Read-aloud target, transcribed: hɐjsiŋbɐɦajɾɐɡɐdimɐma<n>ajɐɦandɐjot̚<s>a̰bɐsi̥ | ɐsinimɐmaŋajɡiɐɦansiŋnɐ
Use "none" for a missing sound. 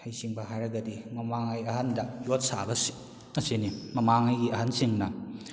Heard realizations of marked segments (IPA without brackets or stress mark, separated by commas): ŋ, s